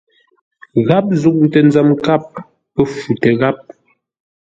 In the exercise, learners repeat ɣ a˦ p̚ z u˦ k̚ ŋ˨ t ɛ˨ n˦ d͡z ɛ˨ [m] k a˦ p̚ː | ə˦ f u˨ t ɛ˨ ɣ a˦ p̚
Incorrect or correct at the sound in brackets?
correct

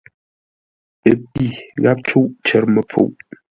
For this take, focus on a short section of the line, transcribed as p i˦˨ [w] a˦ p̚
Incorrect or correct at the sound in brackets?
incorrect: ɣ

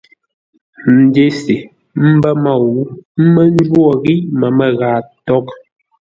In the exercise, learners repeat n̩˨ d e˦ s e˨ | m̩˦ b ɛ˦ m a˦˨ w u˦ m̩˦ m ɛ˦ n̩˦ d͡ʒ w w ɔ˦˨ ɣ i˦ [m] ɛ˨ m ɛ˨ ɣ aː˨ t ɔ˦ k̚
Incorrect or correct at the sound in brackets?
correct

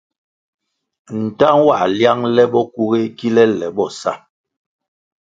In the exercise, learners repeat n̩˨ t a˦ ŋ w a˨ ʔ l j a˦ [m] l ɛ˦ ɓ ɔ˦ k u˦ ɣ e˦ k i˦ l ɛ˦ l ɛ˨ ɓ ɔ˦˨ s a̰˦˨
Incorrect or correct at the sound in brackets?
incorrect: ŋ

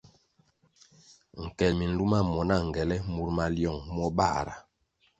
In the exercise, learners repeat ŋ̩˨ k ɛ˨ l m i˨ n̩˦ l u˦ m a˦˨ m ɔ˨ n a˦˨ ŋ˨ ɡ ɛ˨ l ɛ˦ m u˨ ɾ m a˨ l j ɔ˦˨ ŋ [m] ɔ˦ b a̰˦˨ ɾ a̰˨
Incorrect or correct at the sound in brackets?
correct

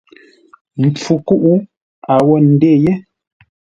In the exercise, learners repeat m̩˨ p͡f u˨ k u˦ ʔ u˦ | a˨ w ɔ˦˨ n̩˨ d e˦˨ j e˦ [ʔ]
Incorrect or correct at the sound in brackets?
incorrect: none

